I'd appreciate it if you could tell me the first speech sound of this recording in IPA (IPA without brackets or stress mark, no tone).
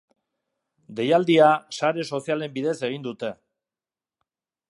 d̪